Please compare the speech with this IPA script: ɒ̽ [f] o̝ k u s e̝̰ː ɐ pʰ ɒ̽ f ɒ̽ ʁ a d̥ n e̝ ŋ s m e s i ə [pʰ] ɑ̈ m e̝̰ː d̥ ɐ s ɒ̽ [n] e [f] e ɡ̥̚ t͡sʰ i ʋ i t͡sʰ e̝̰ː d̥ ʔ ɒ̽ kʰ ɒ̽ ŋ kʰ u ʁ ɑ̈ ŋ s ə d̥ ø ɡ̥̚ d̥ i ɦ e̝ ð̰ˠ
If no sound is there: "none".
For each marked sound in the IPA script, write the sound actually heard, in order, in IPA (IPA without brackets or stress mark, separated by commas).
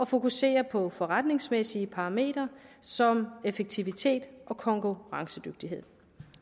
f, pʰ, m, f